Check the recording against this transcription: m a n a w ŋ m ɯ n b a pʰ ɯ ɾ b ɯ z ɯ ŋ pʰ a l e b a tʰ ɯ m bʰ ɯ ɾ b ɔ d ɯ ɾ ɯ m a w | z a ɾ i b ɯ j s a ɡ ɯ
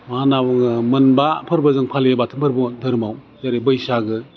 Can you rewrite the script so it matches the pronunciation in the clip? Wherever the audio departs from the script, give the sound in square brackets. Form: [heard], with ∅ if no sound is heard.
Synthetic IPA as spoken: m a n a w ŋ m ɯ n b a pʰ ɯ ɾ b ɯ z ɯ ŋ pʰ a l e b a tʰ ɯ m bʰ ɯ ɾ b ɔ d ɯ ɾ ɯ m a w | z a ɾ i b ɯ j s a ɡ ɯ